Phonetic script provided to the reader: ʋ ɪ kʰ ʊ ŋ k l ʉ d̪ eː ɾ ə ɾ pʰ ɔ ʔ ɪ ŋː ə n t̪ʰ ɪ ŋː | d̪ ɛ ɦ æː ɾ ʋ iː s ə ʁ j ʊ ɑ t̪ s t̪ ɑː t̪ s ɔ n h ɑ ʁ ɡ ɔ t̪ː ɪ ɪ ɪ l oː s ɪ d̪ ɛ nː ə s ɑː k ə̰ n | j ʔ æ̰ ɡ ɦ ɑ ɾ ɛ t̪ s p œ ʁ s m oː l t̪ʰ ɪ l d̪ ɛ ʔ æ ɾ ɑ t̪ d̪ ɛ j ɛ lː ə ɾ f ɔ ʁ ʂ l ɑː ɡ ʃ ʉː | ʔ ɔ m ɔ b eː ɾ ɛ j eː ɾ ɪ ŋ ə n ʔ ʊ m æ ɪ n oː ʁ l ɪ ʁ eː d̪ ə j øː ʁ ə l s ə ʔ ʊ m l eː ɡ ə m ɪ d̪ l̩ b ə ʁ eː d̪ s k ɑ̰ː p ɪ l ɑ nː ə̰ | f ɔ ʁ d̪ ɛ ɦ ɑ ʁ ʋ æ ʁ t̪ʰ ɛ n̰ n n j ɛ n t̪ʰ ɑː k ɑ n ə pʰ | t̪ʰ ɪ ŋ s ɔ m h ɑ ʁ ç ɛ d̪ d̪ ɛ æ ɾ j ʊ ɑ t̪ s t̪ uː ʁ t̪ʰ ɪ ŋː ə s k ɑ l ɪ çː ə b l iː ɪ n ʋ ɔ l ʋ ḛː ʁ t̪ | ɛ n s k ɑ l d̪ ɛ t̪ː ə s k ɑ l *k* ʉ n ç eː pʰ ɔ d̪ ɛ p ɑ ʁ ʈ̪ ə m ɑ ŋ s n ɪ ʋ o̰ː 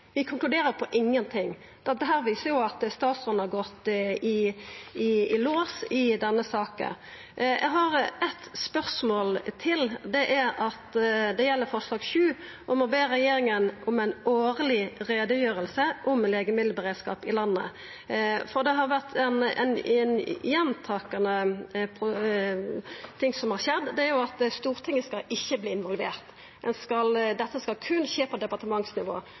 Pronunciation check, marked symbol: incorrect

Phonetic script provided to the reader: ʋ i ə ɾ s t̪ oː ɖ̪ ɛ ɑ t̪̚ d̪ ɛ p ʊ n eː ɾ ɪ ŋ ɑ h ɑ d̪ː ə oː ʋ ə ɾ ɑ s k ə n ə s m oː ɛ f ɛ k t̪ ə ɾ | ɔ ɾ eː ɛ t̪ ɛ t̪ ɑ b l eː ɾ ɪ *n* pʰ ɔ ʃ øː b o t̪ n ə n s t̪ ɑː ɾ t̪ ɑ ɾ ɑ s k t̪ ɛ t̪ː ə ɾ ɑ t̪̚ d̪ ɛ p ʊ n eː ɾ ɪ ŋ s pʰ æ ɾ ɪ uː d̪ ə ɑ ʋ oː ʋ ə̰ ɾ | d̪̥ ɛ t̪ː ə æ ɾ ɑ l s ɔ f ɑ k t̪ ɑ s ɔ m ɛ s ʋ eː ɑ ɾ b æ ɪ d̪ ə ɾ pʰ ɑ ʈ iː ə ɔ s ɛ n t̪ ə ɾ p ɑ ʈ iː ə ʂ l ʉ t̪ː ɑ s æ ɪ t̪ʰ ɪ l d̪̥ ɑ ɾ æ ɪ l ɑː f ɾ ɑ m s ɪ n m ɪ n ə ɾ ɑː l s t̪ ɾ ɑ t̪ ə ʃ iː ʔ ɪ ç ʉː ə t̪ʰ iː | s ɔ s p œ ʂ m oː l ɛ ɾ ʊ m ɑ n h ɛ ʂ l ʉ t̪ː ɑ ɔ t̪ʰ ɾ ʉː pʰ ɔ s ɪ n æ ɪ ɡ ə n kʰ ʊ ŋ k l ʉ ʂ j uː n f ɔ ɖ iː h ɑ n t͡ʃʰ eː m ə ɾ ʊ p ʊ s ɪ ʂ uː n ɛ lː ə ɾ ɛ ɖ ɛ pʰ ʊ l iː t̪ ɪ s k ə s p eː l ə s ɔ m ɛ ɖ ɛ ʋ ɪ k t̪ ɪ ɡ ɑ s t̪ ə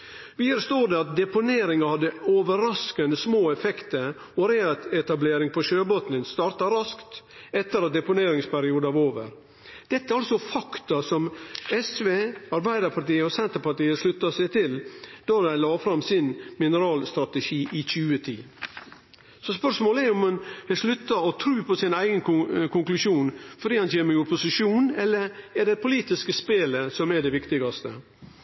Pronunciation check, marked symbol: incorrect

